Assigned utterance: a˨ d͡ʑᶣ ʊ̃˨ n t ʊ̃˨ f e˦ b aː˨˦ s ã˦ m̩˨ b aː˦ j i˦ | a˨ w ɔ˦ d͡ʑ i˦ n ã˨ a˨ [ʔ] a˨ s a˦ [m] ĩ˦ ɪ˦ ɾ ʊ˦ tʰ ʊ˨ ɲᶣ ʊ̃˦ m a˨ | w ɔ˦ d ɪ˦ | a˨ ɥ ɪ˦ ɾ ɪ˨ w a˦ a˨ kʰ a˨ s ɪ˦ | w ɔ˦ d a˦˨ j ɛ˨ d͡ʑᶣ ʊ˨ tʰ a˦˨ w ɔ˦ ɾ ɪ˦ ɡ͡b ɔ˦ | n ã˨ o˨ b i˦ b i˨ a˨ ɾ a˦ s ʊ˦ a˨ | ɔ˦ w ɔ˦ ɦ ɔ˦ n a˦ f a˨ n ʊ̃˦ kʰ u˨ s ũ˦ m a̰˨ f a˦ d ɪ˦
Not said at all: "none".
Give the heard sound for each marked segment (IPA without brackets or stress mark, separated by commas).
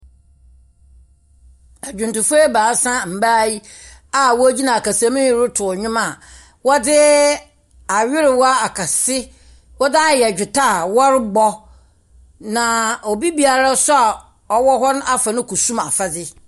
k, m